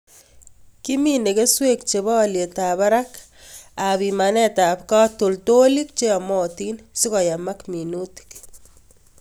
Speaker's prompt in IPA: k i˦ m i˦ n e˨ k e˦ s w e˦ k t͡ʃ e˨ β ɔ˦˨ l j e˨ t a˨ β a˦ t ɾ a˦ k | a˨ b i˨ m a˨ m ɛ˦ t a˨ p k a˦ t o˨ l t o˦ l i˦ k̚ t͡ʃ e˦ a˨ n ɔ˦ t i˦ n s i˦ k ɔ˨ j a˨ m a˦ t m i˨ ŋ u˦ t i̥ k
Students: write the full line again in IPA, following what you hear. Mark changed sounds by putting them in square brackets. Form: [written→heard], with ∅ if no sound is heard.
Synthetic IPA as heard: k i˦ m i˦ n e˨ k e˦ s w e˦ k t͡ʃ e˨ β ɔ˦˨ l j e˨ t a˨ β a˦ [t→∅] ɾ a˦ k | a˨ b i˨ m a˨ [m→n] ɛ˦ t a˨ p k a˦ t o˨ l t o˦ l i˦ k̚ t͡ʃ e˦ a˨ [n→m] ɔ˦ t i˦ n s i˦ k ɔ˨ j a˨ m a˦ [t→k] m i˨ [ŋ→n] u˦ t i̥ k

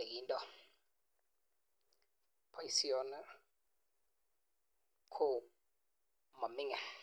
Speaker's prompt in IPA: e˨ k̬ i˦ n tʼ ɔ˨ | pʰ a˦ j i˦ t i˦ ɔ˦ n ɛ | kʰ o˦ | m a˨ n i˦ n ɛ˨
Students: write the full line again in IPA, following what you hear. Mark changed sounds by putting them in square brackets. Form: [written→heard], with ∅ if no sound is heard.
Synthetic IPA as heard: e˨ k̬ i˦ n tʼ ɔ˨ | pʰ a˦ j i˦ [t→s] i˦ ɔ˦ n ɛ | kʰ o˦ | m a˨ [n→m] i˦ [n→ŋ] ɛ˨

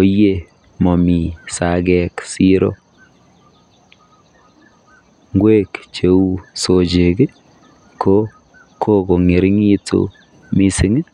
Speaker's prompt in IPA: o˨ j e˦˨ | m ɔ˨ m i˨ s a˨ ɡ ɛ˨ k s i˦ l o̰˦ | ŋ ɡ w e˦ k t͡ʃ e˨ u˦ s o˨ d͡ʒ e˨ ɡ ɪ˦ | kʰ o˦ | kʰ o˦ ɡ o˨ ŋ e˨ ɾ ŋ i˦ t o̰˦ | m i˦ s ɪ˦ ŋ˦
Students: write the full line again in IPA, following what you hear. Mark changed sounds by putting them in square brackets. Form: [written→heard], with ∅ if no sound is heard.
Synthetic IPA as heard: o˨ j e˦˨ | m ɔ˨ m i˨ s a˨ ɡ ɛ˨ k s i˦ [l→ɾ] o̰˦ | ŋ ɡ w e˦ k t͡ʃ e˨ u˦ s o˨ d͡ʒ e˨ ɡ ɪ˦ | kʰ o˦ | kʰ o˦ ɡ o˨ ŋ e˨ ɾ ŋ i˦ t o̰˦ | m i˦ s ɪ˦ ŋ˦

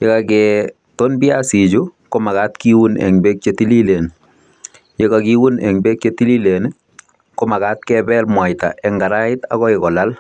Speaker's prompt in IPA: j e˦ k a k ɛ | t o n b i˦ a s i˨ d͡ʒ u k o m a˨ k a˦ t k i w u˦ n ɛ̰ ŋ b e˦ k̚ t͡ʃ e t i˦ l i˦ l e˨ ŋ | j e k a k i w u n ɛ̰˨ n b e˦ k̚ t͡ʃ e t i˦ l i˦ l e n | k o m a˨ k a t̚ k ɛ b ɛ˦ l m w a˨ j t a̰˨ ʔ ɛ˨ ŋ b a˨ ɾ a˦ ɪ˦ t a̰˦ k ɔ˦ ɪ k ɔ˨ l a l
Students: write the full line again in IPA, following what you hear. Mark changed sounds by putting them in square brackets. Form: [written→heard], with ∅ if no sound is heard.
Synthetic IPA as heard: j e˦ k a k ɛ | t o n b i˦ a s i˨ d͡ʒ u k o m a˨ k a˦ t k i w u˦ n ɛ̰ ŋ b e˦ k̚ t͡ʃ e t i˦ l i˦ l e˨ [ŋ→n] | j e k a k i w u n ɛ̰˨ [n→ŋ] b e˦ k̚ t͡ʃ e t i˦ l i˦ l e n | k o m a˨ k a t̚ k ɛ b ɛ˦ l m w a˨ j t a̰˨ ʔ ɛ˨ ŋ [b→ɡ] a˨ ɾ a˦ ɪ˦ t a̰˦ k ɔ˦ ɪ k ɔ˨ l a l

